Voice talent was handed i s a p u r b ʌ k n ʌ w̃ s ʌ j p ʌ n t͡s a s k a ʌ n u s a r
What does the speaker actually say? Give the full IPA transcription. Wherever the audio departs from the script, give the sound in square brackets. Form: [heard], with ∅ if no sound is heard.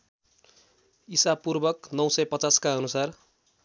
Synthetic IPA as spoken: i s a p u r b ʌ k n ʌ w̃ s ʌ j p ʌ [∅] t͡s a s k a ʌ n u s a r